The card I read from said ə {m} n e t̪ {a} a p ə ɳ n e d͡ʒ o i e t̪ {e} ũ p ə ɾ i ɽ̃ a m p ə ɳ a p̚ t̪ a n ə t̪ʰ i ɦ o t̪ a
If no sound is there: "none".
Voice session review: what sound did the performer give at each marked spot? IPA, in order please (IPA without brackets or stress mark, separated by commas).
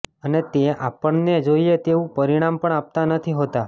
none, e, e